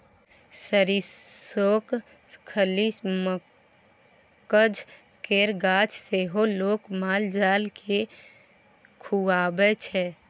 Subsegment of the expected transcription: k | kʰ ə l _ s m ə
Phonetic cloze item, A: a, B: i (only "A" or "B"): B